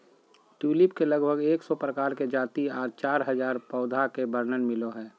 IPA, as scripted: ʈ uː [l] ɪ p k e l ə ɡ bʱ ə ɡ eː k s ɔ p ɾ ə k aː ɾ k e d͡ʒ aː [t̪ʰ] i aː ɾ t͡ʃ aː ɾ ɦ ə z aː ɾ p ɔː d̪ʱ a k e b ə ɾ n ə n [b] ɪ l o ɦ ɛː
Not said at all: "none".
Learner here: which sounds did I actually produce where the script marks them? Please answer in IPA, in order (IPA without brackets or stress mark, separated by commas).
l, t̪, m